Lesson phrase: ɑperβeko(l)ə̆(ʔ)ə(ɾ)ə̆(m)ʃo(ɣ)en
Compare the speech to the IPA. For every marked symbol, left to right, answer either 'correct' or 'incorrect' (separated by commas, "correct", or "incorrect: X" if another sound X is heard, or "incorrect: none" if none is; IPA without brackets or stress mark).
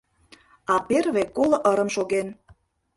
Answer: correct, correct, correct, correct, correct